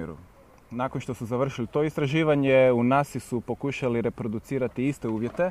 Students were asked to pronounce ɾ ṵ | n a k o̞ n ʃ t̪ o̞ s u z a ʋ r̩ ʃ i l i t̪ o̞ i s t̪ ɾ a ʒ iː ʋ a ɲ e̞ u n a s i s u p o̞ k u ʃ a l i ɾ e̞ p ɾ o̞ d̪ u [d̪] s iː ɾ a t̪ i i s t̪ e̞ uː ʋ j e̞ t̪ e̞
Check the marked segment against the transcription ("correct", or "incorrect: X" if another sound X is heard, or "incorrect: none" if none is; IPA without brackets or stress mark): incorrect: t̪